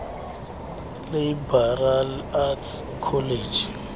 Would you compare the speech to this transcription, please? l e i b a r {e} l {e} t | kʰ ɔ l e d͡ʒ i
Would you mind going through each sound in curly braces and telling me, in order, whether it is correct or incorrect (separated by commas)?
incorrect, incorrect